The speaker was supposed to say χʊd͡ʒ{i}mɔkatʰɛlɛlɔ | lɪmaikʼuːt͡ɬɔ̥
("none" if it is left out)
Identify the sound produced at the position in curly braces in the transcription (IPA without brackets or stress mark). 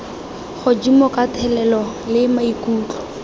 i